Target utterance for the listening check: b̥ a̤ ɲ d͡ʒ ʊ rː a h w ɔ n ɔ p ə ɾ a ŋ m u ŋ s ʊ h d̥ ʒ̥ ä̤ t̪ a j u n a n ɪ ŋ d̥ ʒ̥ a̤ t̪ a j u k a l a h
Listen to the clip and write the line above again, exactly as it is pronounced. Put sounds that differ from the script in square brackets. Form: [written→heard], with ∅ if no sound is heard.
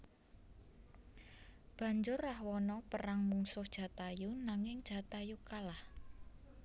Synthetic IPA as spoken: b̥ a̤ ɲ d͡ʒ ʊ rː a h w ɔ n ɔ p ə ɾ a ŋ m u ŋ s ʊ h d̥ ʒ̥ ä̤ t̪ a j u n a [n→ŋ] ɪ ŋ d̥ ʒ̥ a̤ t̪ a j u k a l a h